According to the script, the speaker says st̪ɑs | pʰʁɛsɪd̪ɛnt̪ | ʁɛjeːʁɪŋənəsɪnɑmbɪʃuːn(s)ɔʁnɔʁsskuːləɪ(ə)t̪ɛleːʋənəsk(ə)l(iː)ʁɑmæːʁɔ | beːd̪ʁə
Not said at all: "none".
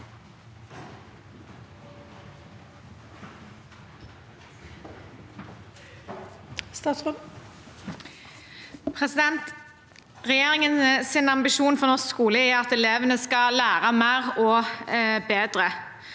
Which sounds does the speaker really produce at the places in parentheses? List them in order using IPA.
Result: f, ɑ, ɑ, æː

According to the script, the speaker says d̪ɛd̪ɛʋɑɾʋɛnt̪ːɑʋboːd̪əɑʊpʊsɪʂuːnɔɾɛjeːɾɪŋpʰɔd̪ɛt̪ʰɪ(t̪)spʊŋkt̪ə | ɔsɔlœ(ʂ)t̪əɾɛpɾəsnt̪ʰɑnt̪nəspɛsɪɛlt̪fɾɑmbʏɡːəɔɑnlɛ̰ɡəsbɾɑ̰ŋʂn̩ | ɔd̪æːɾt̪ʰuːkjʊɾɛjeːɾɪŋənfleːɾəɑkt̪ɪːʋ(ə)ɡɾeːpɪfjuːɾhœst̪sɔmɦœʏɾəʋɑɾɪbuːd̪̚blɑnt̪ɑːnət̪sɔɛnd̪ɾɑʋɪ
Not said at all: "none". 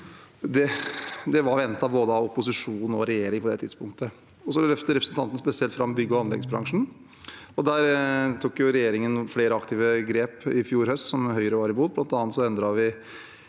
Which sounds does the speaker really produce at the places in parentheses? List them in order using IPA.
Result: d̪, f, ə

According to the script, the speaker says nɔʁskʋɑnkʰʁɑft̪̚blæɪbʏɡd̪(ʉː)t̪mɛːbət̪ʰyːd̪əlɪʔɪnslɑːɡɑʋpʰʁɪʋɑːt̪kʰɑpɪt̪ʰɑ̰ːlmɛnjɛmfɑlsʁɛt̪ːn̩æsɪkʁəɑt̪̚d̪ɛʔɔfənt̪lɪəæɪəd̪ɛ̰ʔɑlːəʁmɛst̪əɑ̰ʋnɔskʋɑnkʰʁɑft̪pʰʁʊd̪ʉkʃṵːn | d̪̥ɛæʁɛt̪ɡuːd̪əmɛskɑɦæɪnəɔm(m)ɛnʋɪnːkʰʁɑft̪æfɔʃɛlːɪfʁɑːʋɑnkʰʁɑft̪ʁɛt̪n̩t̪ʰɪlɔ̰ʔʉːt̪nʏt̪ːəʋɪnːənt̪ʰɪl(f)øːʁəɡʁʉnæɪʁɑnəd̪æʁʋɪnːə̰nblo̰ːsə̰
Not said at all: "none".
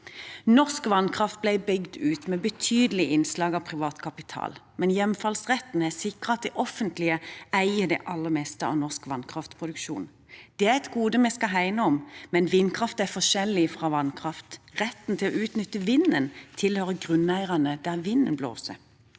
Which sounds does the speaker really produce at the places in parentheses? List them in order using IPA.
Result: ʉː, m, h

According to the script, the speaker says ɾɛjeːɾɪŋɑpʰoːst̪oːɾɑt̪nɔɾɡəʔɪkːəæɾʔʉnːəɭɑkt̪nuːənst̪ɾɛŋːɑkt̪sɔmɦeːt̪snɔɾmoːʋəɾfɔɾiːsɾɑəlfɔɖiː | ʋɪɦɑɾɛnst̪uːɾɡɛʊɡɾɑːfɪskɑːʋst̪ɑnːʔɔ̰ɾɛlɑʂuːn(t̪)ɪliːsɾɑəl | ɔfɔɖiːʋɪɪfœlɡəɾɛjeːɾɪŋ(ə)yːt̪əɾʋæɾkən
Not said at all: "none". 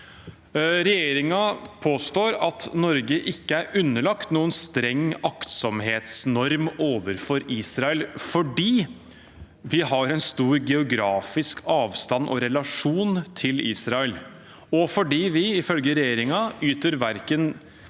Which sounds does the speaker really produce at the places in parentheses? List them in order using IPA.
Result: t̪ʰ, ɑ

